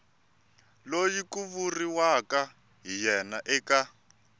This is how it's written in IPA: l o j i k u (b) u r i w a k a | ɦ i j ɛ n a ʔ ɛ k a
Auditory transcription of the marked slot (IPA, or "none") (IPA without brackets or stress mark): β